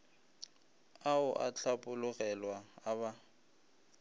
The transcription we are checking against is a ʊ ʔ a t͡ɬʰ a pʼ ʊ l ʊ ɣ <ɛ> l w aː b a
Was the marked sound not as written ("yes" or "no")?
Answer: no